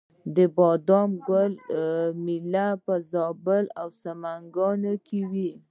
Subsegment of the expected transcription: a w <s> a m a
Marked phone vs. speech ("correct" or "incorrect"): correct